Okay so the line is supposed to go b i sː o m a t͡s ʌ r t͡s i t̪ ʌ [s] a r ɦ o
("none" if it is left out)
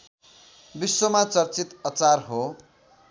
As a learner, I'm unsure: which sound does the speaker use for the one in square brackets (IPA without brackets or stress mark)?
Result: t͡s